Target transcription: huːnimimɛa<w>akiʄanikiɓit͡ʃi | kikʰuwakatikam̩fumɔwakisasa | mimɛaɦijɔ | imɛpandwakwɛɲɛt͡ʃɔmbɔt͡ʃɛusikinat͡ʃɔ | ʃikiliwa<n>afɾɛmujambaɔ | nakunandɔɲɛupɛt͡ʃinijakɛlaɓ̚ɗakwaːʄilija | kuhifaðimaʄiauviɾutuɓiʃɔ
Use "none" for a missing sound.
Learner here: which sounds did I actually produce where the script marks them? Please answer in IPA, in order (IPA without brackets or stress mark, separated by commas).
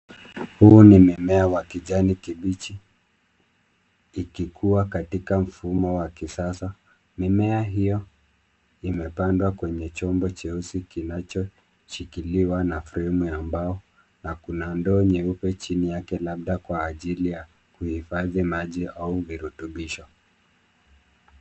w, n